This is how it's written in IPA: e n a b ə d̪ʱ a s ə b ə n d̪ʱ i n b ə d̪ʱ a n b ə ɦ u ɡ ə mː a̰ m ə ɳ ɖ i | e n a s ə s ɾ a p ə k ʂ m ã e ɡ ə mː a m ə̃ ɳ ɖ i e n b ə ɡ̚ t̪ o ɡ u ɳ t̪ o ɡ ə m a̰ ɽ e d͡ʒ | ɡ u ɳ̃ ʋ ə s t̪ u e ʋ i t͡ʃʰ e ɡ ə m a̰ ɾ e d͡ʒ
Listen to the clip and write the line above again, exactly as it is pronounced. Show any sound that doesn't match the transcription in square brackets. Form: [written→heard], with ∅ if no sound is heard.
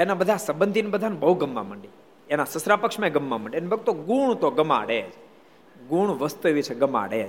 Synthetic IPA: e n a b ə d̪ʱ a s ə b ə n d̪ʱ i n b ə d̪ʱ a n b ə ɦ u ɡ ə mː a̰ m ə ɳ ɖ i | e n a s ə s ɾ a p ə k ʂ m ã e ɡ ə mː a m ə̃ ɳ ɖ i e n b ə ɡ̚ t̪ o ɡ u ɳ t̪ o ɡ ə m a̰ ɽ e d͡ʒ | ɡ u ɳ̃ ʋ ə s t̪ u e ʋ i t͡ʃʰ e ɡ ə m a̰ [ɾ→ɽ] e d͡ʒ